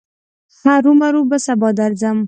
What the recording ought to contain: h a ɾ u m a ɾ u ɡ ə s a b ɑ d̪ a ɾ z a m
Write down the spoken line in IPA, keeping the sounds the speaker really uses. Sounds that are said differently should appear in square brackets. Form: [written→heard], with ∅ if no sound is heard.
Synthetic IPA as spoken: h a ɾ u m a ɾ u [ɡ→b] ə s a b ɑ d̪ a ɾ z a m